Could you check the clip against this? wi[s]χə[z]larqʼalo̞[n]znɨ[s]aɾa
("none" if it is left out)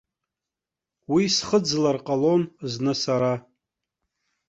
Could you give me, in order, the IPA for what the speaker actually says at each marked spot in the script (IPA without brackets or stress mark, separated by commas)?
s, d͡z, n, s